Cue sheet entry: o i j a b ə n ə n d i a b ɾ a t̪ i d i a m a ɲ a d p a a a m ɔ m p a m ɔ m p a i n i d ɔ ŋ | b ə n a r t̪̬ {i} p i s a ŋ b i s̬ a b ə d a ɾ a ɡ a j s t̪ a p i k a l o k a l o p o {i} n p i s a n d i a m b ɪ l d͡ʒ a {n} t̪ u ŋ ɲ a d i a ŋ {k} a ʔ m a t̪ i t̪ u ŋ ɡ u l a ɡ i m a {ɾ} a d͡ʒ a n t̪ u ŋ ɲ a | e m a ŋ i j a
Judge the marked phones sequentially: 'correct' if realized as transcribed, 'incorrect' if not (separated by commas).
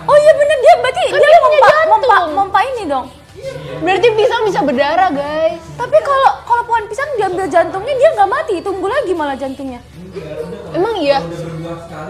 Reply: correct, incorrect, correct, incorrect, incorrect